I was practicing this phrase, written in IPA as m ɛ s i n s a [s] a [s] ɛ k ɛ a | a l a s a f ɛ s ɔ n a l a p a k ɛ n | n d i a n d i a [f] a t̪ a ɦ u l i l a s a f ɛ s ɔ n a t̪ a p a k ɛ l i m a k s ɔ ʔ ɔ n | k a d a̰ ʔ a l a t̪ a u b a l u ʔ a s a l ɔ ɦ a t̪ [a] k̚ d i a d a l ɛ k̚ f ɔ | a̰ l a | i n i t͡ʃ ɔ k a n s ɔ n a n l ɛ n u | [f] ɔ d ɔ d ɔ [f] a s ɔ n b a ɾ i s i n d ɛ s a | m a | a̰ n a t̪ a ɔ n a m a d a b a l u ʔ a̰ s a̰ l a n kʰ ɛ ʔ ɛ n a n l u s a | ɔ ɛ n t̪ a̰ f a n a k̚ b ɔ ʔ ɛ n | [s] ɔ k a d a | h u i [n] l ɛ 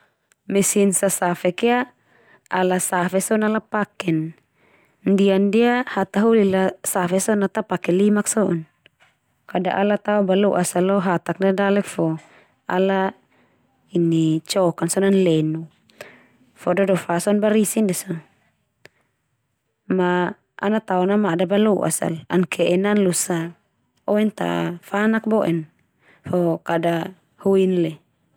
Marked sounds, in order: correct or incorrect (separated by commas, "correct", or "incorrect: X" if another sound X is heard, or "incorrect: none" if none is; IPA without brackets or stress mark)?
correct, incorrect: f, incorrect: h, correct, correct, correct, incorrect: f, correct